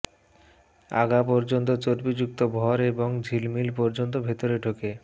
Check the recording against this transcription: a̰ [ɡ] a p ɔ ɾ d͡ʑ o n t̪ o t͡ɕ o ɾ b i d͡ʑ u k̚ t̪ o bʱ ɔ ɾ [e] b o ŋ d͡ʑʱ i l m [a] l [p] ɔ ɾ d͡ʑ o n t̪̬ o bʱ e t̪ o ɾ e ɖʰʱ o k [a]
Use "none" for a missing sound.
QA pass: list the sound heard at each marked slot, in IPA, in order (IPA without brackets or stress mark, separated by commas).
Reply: ɡ, e, i, p, e